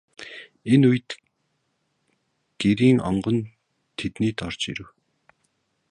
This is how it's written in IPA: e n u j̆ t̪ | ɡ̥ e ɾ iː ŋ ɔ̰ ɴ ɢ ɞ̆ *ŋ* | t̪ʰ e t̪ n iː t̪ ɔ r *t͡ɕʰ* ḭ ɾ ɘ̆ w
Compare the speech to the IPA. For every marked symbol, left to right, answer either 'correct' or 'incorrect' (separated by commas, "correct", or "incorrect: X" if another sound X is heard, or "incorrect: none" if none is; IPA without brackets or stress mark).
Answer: incorrect: n, incorrect: t͡ɕ